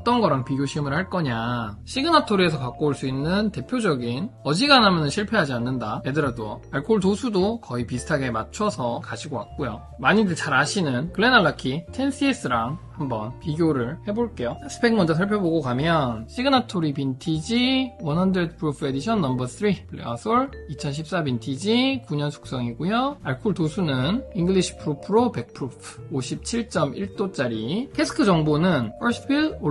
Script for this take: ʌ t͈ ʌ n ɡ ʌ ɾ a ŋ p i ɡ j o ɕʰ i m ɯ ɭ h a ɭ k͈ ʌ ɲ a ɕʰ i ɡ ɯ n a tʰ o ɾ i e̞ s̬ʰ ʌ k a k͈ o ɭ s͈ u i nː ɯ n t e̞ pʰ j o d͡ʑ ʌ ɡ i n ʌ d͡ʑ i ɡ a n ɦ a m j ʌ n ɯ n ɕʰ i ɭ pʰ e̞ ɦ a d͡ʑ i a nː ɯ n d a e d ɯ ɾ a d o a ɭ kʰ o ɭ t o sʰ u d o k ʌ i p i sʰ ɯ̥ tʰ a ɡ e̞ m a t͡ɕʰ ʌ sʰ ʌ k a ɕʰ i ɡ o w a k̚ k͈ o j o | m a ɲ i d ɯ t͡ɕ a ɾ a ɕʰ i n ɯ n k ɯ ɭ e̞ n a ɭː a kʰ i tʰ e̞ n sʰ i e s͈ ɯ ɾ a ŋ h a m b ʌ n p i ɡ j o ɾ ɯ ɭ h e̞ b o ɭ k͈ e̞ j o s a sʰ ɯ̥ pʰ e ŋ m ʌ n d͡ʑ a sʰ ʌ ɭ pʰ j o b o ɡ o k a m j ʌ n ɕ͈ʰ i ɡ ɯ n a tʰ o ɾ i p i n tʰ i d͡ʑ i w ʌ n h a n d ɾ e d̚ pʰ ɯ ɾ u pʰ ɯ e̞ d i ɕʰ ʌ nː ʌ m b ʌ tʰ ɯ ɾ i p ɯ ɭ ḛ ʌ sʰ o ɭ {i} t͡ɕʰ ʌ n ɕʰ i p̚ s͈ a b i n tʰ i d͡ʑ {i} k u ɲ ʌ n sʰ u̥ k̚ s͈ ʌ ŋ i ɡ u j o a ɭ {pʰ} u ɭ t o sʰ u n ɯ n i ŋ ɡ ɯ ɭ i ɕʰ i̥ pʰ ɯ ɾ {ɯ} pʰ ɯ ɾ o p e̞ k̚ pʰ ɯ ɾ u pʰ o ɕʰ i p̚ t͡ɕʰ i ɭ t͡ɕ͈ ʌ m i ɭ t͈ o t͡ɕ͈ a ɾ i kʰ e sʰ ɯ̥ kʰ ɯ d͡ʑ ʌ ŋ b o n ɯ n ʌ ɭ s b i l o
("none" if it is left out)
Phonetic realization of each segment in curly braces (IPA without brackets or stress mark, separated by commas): i, i, kʰ, u